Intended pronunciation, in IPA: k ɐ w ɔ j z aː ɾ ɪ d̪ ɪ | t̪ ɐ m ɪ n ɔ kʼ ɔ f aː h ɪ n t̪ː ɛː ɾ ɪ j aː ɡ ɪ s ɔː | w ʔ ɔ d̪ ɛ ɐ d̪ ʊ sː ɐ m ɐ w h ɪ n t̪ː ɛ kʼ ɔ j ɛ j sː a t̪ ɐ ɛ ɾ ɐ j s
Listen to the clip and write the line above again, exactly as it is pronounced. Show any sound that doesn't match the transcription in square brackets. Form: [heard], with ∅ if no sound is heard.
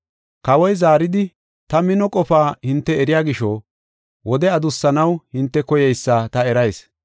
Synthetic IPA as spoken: k ɐ w ɔ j z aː ɾ ɪ d̪ ɪ | t̪ ɐ m ɪ n ɔ kʼ ɔ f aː h ɪ n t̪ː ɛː ɾ ɪ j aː ɡ ɪ [ʃ] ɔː | w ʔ ɔ d̪ ɛ ɐ d̪ ʊ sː ɐ [n] ɐ w h ɪ n t̪ː ɛ [k] ɔ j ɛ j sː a t̪ ɐ ɛ ɾ ɐ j s